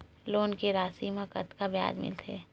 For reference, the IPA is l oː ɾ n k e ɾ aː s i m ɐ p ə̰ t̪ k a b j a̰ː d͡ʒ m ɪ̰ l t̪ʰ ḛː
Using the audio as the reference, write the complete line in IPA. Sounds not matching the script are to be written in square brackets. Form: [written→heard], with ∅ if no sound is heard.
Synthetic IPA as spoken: l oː [ɾ→∅] n k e ɾ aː s i m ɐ [p→k] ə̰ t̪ k a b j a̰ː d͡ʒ m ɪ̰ l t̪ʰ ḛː